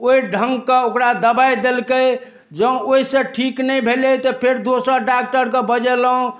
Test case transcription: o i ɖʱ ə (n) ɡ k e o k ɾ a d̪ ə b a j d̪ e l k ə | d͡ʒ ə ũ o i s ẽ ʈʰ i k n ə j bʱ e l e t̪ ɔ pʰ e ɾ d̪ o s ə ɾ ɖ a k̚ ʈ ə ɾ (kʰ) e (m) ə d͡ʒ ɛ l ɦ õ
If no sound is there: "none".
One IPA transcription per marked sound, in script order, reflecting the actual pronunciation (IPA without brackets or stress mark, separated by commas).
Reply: ŋ, k, b